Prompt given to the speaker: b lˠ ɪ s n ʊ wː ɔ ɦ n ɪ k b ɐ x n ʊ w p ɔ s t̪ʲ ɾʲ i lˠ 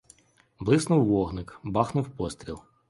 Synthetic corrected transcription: b lˠ ɪ s n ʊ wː ɔ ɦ n ɪ k b ɑ x n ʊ w p ɔ s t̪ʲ ɾʲ i lˠ